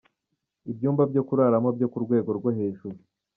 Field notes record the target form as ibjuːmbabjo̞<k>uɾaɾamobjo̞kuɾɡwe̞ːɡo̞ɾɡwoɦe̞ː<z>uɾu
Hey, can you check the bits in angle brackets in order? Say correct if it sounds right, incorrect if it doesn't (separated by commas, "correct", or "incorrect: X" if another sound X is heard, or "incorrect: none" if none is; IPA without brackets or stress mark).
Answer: correct, incorrect: ʒ